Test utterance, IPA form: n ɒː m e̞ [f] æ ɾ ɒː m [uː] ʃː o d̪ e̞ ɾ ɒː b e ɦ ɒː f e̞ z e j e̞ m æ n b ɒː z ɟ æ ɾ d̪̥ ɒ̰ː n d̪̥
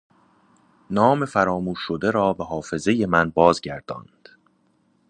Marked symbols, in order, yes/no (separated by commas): yes, yes